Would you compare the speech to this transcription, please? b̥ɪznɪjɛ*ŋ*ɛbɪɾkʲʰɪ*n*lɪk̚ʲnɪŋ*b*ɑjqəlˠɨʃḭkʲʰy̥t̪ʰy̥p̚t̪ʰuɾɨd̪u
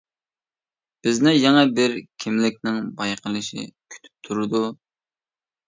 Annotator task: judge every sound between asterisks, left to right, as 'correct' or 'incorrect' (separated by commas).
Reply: correct, incorrect, correct